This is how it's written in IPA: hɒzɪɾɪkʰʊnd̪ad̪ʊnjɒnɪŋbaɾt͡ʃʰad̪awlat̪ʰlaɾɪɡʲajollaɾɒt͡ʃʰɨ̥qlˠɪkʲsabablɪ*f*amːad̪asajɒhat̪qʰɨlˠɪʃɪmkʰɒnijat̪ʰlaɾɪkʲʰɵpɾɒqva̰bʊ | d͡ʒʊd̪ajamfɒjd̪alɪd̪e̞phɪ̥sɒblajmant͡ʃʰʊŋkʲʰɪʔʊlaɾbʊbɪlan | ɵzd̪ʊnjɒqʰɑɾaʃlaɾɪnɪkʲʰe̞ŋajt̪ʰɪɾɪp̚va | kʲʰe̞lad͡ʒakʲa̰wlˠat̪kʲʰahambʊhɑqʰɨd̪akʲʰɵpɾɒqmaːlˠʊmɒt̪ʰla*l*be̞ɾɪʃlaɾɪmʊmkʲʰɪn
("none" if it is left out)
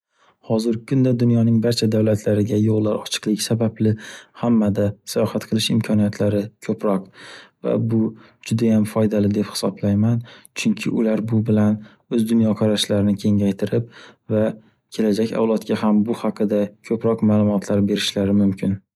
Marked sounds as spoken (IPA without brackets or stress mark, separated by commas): h, ɾ